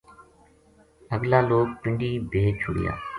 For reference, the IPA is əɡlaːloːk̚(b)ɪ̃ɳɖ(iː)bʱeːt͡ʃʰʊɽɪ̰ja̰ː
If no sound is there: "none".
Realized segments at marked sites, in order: p, iː

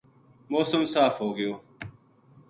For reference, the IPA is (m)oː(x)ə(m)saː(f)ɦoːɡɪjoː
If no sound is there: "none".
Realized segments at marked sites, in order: m, s, m, f

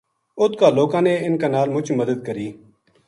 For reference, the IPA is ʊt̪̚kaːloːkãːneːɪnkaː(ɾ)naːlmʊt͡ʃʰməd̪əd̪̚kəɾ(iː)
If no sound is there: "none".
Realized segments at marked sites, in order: none, iː

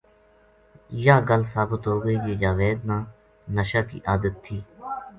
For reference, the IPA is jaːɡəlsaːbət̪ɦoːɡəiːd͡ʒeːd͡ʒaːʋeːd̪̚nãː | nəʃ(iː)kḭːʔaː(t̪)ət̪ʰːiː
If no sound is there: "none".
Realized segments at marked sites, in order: aː, d̪

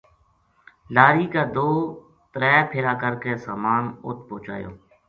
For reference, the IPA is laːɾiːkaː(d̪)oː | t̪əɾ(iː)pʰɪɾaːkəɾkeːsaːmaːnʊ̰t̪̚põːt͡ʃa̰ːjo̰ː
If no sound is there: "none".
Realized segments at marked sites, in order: d̪, ɛː

